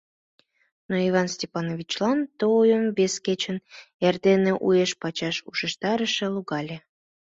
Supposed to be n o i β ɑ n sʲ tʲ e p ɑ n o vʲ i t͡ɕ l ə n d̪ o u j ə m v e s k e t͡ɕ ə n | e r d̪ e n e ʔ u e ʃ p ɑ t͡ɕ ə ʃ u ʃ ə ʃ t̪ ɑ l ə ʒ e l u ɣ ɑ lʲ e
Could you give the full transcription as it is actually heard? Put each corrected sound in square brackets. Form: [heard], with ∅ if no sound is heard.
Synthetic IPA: n o i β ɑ n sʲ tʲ e p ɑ n o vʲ i t͡ɕ l [ɑ] n [t̪] o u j ə m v e s k e t͡ɕ ə n | e r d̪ e n e ʔ u e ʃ p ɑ t͡ɕ [ɑ] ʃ u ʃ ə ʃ t̪ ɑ [ɾ] ə [ʃ] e l u ɣ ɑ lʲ e